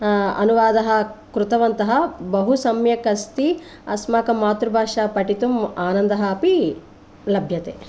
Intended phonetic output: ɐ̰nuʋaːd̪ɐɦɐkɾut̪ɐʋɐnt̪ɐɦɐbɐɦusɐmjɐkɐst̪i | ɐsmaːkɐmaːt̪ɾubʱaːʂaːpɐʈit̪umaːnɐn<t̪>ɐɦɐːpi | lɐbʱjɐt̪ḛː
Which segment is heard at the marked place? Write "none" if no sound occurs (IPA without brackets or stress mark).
d̪